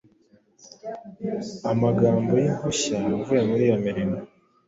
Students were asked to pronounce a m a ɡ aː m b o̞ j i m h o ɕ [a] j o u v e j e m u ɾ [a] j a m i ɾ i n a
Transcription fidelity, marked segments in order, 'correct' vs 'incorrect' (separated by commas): correct, incorrect